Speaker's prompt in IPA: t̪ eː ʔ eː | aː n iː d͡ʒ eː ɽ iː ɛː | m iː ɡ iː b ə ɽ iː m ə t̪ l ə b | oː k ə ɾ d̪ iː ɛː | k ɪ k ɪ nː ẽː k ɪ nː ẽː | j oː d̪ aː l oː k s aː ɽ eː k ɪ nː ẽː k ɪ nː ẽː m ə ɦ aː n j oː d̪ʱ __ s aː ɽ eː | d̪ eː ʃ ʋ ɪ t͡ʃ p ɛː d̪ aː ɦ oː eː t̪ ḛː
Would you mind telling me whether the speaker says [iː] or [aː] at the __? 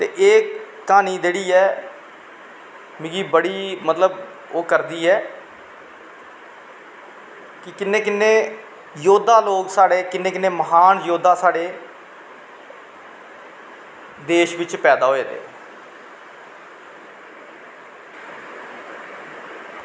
aː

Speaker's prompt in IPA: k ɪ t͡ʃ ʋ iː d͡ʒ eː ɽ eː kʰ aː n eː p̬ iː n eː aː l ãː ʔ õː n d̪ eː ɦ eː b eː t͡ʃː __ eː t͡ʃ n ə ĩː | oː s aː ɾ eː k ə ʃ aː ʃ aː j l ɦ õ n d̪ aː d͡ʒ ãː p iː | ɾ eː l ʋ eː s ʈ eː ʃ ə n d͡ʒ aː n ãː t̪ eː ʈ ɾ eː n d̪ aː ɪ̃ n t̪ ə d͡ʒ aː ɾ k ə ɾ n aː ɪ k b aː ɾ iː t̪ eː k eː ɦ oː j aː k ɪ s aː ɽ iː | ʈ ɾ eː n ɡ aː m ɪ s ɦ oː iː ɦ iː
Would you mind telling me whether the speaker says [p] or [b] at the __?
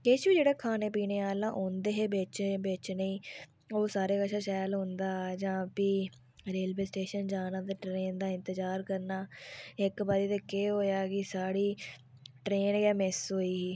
b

